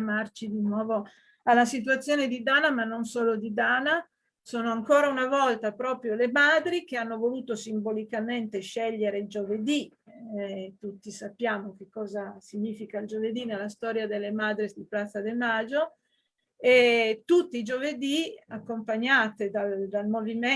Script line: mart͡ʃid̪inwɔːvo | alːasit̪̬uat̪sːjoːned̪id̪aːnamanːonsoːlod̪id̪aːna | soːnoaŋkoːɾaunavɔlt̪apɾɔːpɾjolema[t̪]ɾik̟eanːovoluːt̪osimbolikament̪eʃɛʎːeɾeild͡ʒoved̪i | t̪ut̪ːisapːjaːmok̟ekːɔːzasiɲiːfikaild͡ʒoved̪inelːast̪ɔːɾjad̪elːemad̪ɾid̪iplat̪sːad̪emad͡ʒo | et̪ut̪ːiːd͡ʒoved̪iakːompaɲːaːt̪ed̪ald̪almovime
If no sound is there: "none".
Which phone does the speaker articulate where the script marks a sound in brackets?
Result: d̪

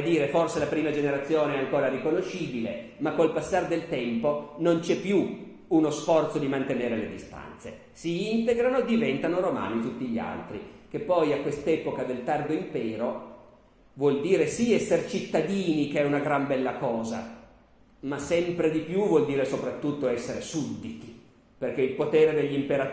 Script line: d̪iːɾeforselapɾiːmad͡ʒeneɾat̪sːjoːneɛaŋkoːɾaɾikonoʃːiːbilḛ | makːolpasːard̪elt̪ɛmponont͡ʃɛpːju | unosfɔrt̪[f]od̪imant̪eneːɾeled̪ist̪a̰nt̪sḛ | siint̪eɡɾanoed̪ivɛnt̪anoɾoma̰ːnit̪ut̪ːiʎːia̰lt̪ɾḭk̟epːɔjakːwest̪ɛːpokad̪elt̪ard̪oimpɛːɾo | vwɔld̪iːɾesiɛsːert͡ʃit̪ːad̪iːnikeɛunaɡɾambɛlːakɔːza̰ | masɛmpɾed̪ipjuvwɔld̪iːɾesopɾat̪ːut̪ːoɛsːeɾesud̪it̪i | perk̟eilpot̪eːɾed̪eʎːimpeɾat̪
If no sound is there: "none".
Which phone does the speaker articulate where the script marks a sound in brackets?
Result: s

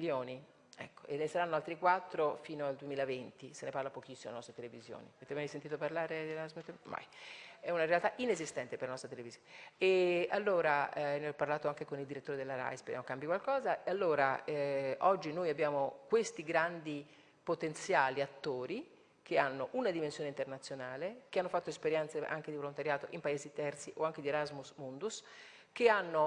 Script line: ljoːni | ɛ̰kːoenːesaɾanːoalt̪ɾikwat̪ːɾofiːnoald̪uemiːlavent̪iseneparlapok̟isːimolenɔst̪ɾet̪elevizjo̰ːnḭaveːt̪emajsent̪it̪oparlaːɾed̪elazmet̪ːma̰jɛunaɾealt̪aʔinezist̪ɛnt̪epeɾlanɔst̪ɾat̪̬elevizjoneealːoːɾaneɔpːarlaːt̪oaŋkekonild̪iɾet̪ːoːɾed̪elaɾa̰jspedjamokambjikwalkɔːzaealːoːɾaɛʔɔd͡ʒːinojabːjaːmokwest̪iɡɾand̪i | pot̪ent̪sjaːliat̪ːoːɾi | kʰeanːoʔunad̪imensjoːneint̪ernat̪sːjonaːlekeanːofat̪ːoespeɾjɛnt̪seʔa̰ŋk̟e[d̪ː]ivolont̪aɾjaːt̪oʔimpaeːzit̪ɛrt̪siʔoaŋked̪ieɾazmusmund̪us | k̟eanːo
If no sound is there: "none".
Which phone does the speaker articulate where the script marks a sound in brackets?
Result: d̪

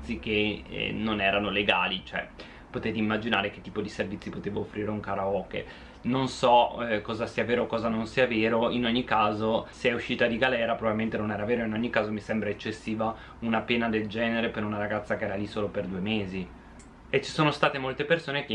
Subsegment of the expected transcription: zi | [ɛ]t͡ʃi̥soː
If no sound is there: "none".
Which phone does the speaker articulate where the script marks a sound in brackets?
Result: e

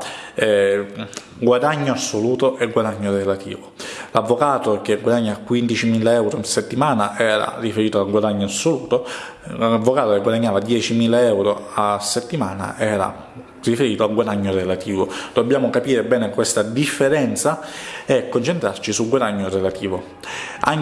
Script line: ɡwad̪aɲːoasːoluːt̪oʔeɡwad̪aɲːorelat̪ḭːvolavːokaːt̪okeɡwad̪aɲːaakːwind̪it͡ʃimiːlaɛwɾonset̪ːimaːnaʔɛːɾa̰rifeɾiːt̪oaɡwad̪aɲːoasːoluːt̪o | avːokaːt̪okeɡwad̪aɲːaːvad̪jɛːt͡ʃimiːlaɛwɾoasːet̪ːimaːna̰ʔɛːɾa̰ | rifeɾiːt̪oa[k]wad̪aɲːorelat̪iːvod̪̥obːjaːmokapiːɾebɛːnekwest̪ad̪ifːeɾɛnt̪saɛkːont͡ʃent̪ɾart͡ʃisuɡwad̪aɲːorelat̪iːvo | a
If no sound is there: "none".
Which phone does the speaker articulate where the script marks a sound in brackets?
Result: ɡ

